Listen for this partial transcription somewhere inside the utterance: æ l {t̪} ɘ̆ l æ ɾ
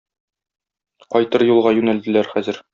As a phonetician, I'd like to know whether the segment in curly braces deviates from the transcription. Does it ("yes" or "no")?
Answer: yes